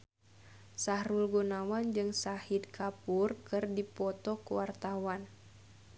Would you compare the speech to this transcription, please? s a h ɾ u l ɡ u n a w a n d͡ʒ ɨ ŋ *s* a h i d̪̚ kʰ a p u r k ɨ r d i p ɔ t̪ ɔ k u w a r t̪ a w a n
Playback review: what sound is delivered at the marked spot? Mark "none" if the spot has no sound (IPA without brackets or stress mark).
s